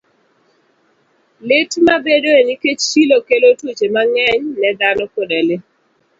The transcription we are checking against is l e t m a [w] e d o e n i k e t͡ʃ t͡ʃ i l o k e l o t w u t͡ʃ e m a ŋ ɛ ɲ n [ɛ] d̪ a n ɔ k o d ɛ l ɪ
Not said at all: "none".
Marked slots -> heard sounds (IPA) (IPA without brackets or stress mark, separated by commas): b, ɛ